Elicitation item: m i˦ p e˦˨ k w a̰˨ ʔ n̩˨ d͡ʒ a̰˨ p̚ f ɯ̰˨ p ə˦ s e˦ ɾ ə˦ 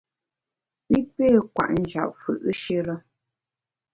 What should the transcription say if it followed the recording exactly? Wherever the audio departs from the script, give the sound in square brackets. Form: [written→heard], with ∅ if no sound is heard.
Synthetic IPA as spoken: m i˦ p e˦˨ k w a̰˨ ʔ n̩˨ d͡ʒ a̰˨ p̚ f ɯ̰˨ [p→ʔ] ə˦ [s→ʃ] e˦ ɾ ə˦